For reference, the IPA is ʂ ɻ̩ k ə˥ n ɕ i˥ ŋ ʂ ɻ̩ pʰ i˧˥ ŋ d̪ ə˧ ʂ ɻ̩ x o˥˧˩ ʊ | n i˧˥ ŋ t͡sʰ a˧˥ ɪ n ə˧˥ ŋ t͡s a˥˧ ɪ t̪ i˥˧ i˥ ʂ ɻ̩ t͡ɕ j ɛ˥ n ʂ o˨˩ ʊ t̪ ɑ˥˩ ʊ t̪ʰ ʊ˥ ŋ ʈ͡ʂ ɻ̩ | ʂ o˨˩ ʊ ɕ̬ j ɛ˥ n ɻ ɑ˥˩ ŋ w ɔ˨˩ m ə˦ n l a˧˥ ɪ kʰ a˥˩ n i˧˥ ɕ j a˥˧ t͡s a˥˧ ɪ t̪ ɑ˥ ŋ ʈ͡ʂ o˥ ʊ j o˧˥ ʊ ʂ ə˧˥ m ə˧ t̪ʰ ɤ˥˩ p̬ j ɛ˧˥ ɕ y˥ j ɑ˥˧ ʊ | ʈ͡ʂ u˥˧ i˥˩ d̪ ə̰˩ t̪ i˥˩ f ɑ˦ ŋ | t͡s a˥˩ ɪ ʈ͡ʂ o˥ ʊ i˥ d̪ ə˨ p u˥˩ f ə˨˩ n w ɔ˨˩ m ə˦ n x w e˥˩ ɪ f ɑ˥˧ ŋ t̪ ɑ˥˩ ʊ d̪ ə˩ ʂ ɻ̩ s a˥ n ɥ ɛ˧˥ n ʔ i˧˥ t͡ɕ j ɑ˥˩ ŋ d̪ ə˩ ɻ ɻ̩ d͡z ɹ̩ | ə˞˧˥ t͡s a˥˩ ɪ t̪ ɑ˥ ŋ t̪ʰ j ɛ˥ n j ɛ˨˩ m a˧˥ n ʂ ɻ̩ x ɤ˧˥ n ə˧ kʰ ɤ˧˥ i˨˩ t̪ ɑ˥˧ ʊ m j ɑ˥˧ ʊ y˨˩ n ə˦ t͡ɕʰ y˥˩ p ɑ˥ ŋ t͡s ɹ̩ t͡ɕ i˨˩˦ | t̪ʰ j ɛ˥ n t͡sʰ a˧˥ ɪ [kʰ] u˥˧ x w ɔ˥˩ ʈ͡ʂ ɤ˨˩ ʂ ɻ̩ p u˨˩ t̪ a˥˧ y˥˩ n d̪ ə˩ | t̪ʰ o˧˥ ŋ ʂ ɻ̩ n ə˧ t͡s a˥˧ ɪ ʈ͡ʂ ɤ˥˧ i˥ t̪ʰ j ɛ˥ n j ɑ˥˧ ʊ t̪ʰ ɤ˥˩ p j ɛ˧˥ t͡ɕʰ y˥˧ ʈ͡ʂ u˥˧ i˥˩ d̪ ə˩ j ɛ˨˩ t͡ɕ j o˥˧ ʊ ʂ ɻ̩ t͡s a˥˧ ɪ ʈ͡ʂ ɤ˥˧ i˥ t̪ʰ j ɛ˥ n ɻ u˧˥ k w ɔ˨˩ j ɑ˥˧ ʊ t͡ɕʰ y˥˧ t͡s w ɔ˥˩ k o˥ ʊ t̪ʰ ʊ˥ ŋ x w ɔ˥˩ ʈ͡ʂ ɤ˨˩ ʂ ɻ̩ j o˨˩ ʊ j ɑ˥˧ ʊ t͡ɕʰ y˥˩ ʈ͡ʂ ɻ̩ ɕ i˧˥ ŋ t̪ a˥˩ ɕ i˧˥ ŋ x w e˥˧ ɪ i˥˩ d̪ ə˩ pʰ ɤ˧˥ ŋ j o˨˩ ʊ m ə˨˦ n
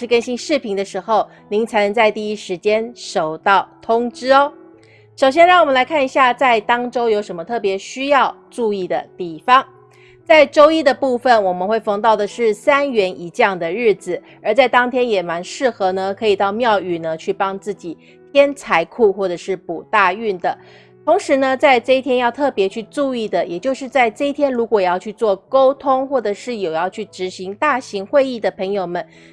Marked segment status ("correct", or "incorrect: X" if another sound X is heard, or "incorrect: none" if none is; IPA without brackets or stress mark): correct